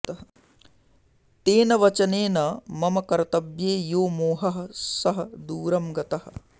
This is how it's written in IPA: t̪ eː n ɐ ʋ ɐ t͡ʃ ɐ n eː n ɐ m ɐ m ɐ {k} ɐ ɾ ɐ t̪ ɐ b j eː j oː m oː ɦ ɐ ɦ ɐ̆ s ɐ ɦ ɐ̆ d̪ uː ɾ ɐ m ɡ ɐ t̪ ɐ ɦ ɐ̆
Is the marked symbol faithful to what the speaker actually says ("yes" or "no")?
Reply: yes